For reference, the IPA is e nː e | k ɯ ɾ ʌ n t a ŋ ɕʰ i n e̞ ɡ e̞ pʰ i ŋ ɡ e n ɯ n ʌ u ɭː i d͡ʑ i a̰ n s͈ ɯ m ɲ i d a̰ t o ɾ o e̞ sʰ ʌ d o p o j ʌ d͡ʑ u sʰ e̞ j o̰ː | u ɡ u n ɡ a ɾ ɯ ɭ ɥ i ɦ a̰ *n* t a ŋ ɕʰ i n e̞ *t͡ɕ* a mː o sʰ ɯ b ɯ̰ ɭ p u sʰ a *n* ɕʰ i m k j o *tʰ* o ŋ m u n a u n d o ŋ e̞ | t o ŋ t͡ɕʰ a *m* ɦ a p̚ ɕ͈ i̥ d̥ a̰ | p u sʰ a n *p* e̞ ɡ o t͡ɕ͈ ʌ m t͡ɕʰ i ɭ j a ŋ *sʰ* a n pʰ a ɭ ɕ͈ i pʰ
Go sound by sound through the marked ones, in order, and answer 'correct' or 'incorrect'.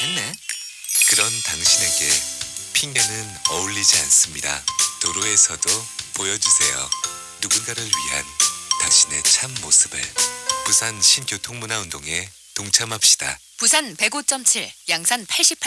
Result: correct, incorrect, correct, correct, correct, correct, correct

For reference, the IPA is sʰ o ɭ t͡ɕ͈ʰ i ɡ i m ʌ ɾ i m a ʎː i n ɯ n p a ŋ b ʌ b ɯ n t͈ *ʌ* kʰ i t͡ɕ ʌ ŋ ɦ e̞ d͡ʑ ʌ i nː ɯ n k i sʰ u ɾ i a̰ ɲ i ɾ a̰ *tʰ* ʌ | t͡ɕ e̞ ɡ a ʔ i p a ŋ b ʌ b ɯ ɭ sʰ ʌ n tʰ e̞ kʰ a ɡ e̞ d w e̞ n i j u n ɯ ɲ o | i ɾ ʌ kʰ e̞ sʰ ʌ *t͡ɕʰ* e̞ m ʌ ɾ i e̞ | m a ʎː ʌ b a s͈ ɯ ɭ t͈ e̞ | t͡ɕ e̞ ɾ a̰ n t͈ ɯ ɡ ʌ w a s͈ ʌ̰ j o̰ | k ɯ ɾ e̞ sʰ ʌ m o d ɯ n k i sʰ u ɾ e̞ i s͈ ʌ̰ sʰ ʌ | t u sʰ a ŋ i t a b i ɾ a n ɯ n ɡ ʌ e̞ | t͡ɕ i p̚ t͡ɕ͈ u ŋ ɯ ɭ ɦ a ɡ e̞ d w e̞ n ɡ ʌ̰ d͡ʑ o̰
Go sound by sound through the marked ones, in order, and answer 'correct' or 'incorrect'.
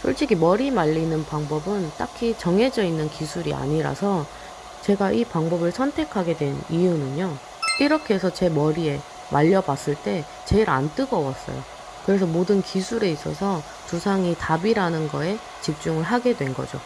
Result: incorrect, incorrect, incorrect

